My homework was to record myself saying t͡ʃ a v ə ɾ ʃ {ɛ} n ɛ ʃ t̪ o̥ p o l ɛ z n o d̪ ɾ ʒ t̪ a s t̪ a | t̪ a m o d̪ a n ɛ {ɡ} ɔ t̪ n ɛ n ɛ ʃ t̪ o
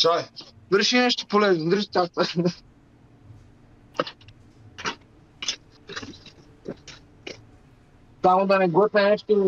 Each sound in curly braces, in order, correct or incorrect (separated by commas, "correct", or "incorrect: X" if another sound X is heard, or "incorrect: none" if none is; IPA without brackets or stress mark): incorrect: i, correct